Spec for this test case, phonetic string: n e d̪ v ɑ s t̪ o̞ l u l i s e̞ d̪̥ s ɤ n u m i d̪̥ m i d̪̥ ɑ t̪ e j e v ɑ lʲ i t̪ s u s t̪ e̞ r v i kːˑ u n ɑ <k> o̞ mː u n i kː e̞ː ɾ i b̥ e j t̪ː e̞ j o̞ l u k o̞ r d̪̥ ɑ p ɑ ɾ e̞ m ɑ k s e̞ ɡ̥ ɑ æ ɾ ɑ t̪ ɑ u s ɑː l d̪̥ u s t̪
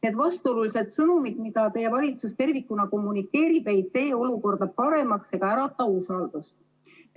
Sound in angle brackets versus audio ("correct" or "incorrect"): correct